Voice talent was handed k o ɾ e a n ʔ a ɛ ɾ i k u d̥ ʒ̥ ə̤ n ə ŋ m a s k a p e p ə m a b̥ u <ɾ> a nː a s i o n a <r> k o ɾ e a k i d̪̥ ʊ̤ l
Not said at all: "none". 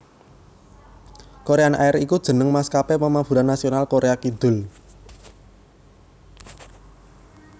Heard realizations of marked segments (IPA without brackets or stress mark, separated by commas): ɾ, l